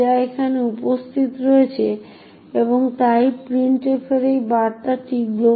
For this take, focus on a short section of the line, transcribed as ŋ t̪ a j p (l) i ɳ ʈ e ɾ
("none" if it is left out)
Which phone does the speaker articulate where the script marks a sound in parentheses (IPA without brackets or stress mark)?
ɾ